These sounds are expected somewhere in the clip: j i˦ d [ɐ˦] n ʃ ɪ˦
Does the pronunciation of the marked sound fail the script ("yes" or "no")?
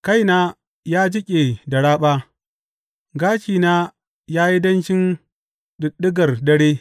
no